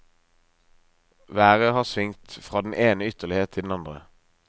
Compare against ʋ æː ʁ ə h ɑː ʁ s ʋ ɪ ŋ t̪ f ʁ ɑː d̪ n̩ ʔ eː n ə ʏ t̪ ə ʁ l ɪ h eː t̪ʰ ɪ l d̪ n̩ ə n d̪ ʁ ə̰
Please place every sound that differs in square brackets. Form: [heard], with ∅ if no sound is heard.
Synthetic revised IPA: ʋ æː ʁ ə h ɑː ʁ s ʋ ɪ ŋ t̪ f ʁ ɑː d̪ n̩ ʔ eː n ə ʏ t̪ ə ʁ l ɪ h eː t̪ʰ ɪ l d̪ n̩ [ɑ] n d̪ ʁ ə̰